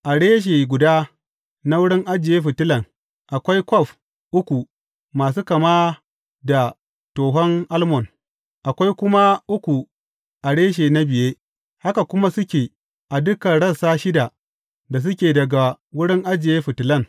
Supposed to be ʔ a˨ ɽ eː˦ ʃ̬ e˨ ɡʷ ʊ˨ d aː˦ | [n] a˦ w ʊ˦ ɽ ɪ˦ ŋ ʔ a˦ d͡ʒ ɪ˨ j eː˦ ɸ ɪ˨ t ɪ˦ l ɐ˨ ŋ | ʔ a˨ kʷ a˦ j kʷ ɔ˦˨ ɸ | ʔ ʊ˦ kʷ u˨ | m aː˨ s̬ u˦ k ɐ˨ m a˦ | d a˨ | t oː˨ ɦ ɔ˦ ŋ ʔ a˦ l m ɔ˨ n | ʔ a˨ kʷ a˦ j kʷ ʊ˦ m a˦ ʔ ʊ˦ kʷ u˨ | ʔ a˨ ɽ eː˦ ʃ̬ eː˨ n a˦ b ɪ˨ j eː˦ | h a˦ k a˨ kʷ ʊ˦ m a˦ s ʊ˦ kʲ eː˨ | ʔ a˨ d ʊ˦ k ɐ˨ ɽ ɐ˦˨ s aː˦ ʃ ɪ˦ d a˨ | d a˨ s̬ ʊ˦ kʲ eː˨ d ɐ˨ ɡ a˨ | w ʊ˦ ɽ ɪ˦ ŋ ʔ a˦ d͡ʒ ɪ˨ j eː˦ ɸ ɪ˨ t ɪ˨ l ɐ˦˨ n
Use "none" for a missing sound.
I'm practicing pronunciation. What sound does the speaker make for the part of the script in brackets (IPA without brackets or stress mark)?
n